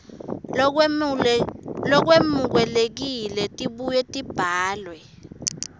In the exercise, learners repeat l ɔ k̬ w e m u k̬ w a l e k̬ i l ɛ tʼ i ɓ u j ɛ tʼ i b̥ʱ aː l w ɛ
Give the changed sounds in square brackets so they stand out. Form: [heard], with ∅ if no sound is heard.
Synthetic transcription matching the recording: l ɔ k̬ w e m u k̬ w [ɛ] l e k̬ i l ɛ tʼ i ɓ u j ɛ tʼ i b̥ʱ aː l w ɛ